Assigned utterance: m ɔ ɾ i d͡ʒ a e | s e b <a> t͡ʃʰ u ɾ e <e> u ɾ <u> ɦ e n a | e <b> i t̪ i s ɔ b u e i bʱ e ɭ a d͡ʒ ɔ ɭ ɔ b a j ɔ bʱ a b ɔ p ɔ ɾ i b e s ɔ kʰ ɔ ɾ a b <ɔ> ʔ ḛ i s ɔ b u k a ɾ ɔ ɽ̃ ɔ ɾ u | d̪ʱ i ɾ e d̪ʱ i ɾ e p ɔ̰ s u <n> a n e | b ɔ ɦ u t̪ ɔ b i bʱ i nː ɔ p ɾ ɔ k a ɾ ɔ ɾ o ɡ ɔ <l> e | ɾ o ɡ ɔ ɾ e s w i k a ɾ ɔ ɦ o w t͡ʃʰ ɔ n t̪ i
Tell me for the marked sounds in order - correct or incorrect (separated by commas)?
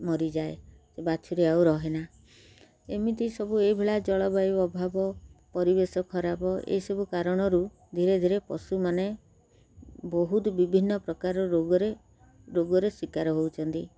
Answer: correct, incorrect, incorrect, incorrect, correct, incorrect, incorrect